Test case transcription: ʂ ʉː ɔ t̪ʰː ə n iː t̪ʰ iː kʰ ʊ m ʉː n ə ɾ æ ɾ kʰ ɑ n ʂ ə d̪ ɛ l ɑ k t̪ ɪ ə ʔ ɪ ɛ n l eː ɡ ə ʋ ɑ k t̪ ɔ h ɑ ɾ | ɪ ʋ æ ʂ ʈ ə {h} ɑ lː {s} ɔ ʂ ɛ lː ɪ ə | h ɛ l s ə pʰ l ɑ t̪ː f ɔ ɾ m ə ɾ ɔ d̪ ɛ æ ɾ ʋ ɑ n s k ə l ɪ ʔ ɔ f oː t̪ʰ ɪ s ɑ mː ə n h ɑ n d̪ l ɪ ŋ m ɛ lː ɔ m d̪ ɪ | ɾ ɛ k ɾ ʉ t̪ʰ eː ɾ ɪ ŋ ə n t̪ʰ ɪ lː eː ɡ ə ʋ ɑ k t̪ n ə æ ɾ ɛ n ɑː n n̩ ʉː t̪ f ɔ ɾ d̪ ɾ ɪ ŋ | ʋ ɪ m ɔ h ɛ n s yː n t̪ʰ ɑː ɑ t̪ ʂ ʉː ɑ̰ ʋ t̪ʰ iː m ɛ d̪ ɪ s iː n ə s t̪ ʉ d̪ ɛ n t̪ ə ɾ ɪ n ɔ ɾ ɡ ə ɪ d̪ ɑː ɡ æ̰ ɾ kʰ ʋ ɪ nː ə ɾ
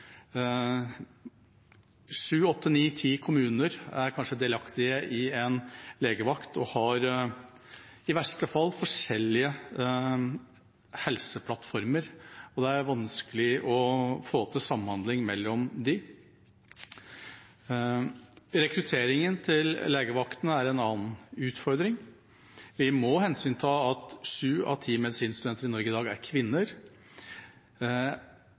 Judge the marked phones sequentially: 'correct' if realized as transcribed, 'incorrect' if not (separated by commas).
incorrect, incorrect